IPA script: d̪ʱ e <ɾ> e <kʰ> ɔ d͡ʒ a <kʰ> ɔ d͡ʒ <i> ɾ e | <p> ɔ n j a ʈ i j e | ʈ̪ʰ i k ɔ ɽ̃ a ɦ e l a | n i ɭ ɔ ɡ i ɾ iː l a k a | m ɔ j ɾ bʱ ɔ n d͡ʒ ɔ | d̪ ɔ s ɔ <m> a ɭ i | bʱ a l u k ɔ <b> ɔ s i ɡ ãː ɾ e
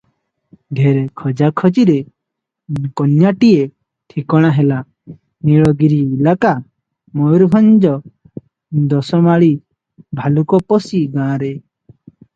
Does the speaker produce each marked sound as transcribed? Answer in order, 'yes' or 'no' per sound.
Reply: yes, yes, yes, yes, no, yes, no

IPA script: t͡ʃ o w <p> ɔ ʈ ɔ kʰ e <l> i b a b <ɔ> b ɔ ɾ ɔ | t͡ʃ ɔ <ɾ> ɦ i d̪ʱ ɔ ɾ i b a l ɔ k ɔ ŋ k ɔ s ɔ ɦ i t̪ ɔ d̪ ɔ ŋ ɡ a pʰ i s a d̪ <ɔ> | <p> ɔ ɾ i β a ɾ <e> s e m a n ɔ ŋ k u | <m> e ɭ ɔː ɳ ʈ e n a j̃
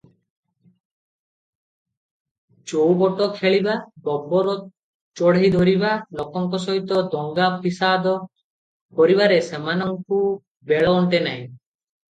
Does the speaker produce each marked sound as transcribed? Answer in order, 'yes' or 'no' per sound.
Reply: no, no, yes, no, yes, yes, yes, no

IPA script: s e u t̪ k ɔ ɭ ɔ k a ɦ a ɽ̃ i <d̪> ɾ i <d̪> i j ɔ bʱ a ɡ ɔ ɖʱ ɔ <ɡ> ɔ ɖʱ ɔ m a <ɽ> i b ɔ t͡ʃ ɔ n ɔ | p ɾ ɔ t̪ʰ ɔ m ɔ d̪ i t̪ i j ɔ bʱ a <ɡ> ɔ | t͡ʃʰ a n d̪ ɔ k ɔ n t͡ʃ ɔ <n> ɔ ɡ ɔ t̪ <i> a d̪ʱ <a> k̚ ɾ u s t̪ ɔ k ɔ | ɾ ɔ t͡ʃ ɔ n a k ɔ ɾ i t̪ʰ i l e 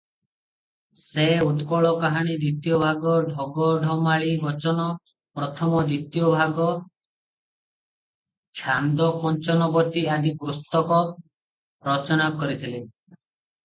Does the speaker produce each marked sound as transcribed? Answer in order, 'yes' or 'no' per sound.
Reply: yes, no, yes, no, yes, yes, yes, no

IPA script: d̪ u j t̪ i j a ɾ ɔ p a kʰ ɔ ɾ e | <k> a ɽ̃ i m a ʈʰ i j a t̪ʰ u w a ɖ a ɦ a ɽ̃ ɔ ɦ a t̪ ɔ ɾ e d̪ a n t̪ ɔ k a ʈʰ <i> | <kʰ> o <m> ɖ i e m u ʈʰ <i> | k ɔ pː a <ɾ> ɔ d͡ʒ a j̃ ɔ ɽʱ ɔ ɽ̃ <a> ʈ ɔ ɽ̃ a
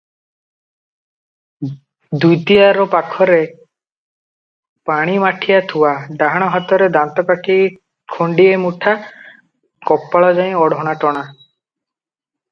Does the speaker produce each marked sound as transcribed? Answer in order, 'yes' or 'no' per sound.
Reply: no, yes, yes, no, no, no, yes

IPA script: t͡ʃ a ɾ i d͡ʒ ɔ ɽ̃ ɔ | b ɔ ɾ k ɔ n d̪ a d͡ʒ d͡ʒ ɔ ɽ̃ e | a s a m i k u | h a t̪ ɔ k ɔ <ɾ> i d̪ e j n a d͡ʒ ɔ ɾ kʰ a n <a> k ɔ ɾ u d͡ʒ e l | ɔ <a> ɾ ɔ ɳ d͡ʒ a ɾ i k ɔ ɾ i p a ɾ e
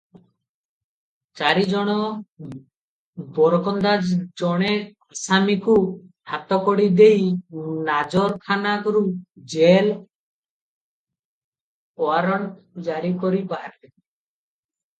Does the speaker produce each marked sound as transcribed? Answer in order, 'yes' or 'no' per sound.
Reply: no, yes, yes

